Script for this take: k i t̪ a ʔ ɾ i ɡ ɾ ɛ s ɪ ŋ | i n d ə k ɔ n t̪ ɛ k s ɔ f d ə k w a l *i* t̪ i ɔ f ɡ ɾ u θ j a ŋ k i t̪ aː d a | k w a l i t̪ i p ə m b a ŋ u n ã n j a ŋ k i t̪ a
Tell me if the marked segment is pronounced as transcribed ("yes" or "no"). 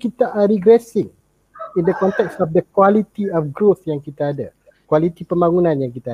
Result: yes